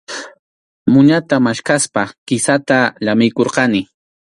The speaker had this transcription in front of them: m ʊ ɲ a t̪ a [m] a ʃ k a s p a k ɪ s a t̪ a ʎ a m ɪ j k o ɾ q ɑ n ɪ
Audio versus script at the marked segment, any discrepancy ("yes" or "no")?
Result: no